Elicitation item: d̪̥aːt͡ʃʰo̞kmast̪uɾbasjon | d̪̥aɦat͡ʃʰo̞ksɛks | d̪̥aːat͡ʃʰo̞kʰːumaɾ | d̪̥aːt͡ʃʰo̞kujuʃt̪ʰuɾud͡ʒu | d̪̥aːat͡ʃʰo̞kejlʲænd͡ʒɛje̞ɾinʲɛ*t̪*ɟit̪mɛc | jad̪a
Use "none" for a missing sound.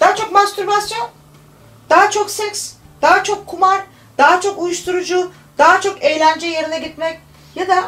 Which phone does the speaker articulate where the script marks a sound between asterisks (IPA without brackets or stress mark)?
none